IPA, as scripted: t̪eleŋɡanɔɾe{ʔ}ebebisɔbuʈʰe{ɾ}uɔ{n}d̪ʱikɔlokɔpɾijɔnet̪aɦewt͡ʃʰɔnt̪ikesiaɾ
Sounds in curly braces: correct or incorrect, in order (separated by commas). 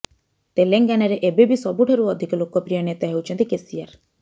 correct, correct, incorrect